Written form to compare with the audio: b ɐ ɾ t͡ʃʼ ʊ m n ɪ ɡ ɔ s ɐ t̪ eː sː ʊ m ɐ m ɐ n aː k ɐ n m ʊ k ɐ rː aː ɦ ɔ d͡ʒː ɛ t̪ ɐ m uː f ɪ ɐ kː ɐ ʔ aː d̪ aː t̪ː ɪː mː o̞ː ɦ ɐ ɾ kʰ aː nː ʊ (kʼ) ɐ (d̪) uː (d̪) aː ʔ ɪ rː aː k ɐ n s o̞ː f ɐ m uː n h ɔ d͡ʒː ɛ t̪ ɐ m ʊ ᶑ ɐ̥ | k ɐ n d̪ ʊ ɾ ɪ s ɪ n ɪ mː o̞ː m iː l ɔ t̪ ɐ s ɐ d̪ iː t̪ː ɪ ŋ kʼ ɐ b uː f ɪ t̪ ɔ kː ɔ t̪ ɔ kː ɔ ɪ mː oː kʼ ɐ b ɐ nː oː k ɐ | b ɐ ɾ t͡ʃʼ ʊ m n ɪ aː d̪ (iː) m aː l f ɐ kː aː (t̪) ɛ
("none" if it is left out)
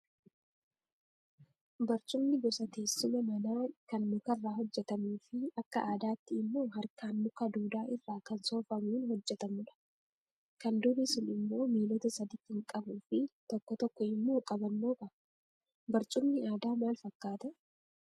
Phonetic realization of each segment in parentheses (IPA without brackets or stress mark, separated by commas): k, d̪, d̪, aː, t̪